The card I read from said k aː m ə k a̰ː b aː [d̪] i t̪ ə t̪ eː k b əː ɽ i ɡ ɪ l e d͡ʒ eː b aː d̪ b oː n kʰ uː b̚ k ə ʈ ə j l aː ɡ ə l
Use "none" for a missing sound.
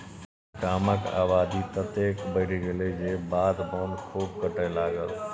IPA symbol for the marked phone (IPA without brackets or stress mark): d̪